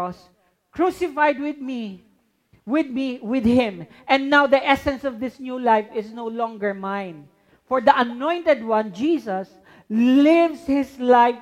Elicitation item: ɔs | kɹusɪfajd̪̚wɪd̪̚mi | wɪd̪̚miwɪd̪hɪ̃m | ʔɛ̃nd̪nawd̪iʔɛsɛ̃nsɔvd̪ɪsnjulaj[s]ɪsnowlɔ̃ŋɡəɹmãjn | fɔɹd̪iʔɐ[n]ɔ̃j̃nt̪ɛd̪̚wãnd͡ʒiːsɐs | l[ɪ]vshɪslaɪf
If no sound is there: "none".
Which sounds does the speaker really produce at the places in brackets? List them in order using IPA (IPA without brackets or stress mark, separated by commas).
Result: f, n, ɪ